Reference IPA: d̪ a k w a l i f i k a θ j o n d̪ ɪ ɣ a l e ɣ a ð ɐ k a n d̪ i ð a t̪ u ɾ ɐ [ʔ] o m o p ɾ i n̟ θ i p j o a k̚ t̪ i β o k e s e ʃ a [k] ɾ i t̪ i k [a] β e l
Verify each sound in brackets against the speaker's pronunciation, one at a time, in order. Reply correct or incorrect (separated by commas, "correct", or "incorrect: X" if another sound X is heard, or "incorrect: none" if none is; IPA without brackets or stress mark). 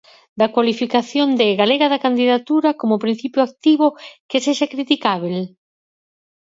incorrect: k, correct, correct